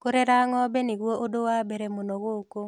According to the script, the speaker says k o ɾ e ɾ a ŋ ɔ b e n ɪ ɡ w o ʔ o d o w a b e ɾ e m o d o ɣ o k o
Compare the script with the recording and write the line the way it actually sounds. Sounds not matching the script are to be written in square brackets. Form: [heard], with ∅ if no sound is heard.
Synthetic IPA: k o ɾ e ɾ a ŋ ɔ b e n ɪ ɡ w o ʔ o d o w a b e ɾ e m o [n] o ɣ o k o